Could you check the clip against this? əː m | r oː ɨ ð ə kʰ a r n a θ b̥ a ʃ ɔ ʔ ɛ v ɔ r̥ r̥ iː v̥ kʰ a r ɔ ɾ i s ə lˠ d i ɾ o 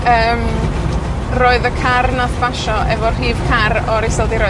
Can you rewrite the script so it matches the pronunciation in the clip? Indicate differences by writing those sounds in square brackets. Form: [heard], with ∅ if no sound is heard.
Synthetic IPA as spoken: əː m | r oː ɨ ð ə kʰ a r n a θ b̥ a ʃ ɔ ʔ ɛ v ɔ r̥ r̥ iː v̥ kʰ a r ɔ ɾ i s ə lˠ d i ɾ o